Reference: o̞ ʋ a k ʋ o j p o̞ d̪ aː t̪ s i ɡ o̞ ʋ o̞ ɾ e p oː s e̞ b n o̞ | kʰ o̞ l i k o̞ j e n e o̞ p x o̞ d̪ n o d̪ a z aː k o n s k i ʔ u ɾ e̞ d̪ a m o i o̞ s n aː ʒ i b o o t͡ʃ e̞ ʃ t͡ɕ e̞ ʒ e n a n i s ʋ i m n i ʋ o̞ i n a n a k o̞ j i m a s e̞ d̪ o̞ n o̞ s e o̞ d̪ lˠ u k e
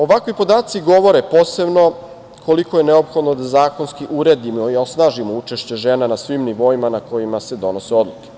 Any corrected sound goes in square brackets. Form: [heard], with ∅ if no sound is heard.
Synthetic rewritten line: o̞ ʋ a k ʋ o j p o̞ d̪ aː t̪ s i ɡ o̞ ʋ o̞ ɾ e p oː s e̞ b n o̞ | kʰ o̞ l i k o̞ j e n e o̞ p x o̞ d̪ n o d̪ a z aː k o n s k i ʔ u ɾ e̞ d̪ [i] m o i o̞ s n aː ʒ i [m] o [u] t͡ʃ e̞ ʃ t͡ɕ e̞ ʒ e n a n [a] s ʋ i m n i ʋ o̞ i [m] a n a k o̞ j i m a s e̞ d̪ o̞ n o̞ s e o̞ d̪ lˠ u k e